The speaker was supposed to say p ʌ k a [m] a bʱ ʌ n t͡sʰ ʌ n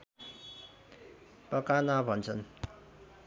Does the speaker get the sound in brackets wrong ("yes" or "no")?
yes